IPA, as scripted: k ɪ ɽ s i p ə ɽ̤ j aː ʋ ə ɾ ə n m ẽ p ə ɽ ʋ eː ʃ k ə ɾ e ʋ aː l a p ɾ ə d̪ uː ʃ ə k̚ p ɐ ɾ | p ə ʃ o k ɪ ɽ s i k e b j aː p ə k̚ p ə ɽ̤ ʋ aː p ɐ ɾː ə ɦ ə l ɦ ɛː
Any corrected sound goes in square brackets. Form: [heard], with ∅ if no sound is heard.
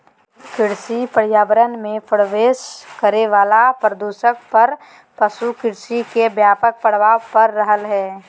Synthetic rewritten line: k ɪ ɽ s i p ə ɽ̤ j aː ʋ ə ɾ ə n m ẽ p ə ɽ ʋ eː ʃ k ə ɾ e ʋ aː l a p ɾ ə d̪ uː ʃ ə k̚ p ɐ ɾ | p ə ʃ [u] k ɪ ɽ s i k e b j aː p ə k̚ p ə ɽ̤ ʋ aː p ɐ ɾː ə ɦ ə l ɦ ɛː